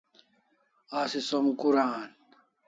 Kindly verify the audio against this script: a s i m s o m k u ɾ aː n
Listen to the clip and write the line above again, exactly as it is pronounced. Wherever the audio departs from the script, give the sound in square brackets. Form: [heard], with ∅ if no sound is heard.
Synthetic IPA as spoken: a s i [∅] s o m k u ɾ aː n